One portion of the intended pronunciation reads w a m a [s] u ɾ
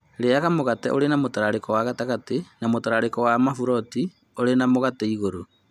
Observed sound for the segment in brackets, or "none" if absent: f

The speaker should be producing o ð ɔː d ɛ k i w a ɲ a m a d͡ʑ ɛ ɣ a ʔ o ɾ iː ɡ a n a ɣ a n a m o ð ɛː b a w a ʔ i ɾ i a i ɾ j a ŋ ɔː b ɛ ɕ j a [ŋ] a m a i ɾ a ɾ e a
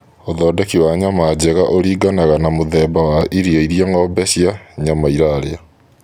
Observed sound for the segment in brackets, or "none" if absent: ɲ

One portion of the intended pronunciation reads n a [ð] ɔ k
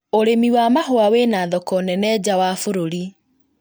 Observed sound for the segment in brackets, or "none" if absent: ð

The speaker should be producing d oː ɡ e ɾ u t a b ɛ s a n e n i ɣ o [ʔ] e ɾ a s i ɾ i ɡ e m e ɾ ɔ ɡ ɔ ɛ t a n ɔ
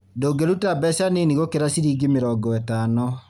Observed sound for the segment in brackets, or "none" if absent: k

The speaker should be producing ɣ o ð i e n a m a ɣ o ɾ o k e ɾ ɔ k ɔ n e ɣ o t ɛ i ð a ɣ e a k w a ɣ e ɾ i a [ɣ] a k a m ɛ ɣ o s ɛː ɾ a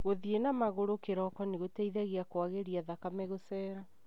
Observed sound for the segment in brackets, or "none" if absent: ð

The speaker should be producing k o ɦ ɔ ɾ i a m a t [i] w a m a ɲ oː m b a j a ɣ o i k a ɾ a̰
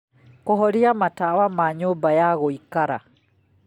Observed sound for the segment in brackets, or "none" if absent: a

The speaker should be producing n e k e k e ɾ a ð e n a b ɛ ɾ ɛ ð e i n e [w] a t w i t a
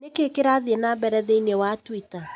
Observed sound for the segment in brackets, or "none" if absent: w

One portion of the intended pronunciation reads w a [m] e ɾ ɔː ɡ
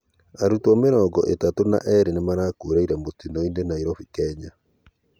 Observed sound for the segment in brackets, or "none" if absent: m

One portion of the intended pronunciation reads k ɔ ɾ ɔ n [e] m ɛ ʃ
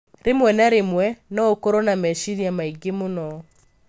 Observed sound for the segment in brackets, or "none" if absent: a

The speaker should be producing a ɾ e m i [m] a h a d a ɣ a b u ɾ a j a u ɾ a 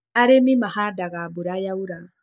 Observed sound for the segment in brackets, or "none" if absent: m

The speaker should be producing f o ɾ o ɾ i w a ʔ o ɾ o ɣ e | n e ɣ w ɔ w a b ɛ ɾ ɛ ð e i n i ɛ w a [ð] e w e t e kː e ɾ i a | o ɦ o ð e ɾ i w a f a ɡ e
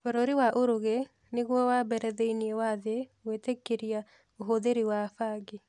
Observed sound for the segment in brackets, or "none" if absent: ð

